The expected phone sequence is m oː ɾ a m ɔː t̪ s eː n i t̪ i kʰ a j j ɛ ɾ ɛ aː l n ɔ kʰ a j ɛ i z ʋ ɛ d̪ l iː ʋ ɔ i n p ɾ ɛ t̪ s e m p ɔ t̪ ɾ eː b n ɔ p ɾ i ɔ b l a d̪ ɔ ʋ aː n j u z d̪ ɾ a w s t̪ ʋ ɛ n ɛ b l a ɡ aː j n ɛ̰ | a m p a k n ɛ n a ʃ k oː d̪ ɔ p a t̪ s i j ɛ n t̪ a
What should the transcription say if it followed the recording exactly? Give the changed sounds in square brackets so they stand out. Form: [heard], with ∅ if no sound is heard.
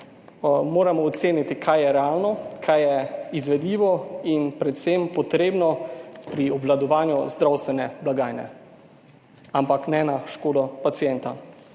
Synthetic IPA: m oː ɾ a m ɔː t̪ s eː n i t̪ i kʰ a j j ɛ ɾ ɛ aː l n ɔ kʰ a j ɛ i z ʋ ɛ d̪ l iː ʋ ɔ i n p ɾ ɛ t̪ s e m p ɔ t̪ ɾ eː b n ɔ p ɾ i ɔ b l a d̪ ɔ ʋ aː n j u z d̪ ɾ a w s t̪ ʋ ɛ n ɛ b l a ɡ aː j n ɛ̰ | a m p a k n ɛ n a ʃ k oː d̪ ɔ p a t̪ s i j ɛ n t̪ a